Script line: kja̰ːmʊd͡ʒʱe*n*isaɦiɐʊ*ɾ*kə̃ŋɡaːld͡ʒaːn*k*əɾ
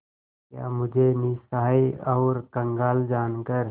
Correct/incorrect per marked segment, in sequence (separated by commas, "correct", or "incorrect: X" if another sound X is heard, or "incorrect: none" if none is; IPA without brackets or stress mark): correct, correct, correct